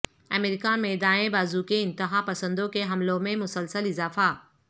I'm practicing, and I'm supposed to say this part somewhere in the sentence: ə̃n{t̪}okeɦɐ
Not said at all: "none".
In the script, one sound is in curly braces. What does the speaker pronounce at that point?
d̪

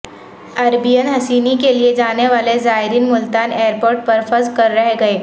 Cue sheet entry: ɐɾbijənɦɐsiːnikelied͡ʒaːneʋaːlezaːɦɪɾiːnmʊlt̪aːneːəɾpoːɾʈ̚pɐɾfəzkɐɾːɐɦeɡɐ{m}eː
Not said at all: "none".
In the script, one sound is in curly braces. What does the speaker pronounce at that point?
none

